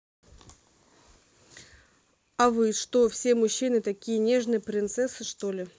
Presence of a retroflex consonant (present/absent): present